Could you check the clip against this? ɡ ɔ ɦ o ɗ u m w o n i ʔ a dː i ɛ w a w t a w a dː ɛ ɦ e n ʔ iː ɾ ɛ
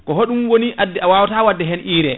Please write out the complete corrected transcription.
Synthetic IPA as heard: k ɔ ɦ o ɗ u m w o n i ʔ a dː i a w a w t a w a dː ɛ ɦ ɛ n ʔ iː ɾ ɛ